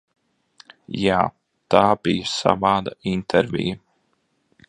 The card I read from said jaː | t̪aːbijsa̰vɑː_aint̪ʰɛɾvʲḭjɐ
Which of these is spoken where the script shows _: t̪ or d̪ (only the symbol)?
d̪